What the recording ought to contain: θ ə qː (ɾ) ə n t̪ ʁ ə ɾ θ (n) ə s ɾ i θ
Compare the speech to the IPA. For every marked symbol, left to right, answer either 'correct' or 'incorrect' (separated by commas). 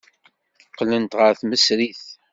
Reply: incorrect, incorrect